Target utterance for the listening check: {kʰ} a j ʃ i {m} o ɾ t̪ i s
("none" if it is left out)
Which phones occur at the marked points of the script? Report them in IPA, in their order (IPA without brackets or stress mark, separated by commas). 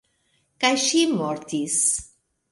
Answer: k, m